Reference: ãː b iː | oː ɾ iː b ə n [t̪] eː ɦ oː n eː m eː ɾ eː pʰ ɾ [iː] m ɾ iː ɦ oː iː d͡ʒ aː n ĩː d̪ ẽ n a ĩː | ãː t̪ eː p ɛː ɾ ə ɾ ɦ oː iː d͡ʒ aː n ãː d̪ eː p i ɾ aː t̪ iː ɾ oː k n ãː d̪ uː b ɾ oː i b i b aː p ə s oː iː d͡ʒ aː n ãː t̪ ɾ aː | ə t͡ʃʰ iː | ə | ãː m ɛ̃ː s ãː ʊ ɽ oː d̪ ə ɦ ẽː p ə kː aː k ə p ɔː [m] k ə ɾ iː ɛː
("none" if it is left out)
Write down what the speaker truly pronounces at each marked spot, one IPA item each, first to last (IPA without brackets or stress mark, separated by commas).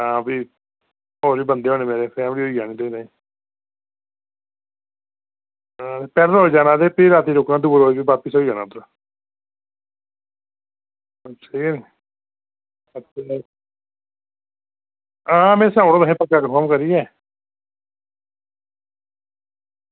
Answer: d̪, ɛː, m